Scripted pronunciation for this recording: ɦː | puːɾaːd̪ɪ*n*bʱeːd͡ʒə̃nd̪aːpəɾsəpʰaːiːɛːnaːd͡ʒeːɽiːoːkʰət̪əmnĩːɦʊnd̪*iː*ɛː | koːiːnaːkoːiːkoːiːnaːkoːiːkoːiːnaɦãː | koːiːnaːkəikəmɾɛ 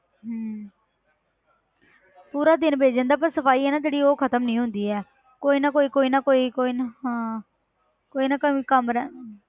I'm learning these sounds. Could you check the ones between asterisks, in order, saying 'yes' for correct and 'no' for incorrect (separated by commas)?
yes, yes